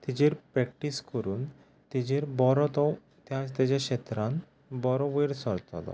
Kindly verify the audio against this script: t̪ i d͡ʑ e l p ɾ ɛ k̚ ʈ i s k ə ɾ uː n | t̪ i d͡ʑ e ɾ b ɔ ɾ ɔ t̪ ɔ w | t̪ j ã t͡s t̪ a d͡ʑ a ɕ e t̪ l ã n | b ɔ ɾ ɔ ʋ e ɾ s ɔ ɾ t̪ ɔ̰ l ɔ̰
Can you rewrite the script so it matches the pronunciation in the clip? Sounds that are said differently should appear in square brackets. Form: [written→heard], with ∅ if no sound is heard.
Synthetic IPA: t̪ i d͡ʑ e [l→ɾ] p ɾ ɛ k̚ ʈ i s k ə ɾ uː n | t̪ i d͡ʑ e ɾ b ɔ ɾ ɔ t̪ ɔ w | t̪ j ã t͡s t̪ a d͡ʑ a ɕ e t̪ [l→ɾ] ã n | b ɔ ɾ ɔ ʋ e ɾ s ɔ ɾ t̪ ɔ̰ l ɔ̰